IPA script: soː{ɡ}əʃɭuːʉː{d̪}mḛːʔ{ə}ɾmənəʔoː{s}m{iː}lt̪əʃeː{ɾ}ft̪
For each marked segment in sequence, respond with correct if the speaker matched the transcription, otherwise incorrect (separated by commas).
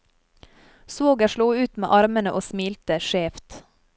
correct, incorrect, incorrect, correct, correct, incorrect